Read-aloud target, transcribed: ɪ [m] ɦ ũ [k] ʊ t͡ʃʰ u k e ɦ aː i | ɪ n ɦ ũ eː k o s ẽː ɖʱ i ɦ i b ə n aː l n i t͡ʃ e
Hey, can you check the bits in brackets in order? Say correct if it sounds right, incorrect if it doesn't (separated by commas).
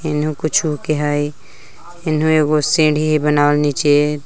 incorrect, correct